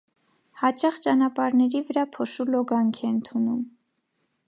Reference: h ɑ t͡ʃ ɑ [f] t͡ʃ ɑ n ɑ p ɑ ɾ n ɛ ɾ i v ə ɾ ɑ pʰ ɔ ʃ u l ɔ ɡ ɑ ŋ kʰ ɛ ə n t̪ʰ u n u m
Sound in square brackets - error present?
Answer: yes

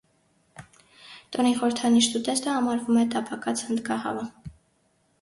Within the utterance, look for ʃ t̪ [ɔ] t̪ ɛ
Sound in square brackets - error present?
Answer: yes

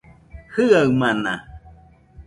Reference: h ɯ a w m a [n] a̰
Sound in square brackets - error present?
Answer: no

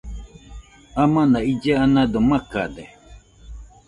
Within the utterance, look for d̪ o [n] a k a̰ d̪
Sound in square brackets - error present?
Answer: yes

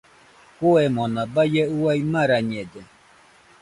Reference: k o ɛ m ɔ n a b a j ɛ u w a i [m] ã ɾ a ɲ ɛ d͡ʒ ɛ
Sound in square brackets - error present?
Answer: no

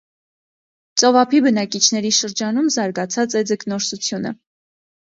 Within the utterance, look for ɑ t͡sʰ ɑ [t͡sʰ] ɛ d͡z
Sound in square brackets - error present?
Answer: yes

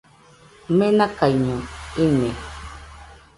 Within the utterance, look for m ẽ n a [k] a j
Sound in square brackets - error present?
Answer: no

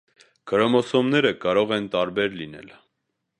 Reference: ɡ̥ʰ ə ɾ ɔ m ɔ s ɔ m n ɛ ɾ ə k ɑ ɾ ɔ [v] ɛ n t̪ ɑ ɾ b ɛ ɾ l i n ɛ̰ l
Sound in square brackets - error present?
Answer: yes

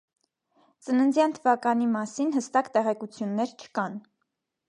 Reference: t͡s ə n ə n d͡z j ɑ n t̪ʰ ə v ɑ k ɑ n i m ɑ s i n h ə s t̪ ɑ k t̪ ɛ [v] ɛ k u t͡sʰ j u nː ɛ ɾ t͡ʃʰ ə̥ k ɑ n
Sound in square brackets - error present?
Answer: yes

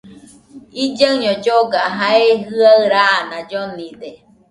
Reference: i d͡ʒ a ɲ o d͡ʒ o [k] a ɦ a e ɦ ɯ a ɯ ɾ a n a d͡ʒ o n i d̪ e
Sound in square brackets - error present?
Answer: yes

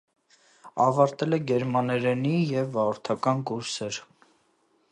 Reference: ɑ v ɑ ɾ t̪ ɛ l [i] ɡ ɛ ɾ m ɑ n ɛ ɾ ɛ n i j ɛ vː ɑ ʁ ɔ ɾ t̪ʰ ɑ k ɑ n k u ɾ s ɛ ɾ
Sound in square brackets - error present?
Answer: yes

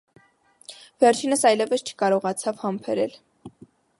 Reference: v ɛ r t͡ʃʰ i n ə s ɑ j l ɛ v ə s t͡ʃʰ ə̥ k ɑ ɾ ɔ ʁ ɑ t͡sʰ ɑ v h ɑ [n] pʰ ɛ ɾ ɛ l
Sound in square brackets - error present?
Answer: yes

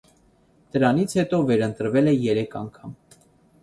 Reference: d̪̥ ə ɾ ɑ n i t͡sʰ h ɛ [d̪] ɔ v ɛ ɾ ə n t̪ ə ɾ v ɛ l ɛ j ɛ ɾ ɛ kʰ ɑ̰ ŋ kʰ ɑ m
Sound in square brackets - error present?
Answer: yes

